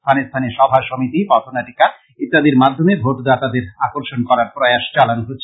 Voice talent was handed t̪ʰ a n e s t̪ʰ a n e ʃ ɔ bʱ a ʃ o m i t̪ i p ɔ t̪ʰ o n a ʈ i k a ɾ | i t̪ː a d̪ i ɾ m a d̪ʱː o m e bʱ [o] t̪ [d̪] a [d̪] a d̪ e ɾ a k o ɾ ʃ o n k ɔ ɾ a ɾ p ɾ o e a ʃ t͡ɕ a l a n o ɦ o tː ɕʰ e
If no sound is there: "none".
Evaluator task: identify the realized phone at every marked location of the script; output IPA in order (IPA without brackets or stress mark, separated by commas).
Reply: o, d̪, t̪